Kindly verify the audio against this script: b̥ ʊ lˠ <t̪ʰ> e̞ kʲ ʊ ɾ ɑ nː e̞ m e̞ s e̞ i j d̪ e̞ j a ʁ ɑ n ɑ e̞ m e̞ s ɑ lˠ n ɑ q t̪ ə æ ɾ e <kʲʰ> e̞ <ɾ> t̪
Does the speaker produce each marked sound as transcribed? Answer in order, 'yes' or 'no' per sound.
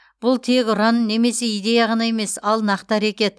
yes, no, no

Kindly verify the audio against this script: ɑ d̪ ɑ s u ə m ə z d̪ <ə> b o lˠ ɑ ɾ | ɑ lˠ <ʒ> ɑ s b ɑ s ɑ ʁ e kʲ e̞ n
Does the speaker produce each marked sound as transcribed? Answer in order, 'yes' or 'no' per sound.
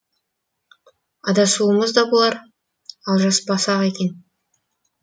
no, yes

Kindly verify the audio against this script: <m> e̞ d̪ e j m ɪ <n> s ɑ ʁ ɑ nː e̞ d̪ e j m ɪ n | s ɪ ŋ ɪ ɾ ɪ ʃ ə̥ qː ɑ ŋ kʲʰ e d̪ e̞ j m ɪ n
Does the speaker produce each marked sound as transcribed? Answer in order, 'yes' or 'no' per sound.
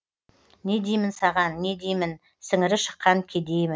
no, yes

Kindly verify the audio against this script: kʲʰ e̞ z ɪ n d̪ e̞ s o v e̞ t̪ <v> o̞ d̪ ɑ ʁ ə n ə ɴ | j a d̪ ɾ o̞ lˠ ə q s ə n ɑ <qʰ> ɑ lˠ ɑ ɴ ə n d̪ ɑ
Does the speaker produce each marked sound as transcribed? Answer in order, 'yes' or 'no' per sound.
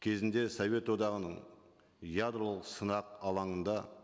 no, no

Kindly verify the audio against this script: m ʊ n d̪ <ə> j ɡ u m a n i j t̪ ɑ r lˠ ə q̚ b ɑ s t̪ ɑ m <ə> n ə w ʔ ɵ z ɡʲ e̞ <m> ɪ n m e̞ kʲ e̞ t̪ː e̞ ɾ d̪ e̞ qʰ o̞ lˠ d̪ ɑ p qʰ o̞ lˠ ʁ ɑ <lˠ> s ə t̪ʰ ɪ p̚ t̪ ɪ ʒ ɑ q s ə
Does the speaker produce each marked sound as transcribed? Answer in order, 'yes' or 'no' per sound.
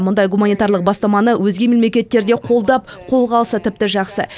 no, no, yes, yes

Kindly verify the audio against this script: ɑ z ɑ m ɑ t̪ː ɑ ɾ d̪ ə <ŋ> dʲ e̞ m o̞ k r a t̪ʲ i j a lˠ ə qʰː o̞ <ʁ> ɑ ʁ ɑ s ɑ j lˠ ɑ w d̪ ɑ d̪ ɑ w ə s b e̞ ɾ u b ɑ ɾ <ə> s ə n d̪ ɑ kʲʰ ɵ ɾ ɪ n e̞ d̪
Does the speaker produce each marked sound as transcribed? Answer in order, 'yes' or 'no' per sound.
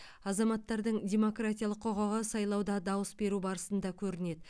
no, yes, yes

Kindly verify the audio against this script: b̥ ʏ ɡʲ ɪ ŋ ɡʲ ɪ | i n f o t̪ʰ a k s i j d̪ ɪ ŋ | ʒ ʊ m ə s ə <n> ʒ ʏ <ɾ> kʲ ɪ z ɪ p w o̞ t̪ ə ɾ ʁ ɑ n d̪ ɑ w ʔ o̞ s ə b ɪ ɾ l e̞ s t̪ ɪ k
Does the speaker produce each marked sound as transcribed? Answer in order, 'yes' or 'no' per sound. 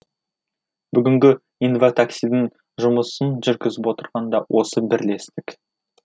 yes, yes

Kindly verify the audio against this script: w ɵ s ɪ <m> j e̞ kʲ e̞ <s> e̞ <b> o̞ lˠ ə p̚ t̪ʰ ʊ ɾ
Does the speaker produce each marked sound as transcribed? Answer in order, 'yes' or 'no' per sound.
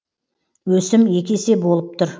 yes, yes, yes

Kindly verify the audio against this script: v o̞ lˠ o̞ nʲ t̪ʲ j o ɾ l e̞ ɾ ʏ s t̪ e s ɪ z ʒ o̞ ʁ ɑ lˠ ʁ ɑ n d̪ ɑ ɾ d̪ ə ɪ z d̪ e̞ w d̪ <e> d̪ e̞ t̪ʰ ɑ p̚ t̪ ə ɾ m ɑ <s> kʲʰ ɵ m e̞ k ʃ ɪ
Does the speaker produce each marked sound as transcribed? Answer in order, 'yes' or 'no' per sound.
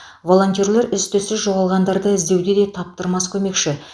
yes, yes

